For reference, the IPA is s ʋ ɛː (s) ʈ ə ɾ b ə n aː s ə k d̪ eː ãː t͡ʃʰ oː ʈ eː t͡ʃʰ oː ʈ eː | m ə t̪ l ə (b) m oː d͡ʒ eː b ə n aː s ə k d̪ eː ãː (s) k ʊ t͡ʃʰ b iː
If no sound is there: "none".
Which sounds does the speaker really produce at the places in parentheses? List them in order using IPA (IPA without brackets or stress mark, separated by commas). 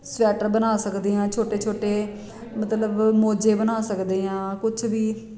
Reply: none, b, none